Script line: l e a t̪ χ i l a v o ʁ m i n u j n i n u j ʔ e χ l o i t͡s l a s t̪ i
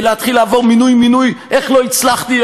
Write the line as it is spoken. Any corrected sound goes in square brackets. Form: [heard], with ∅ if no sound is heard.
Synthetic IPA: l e a t̪ χ i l a v o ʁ m i n u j [m] i n u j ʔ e χ l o i t͡s l a [χ] t̪ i